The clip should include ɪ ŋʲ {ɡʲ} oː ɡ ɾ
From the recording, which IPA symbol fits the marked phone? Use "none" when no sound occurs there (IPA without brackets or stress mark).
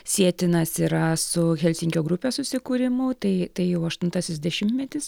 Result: kʲ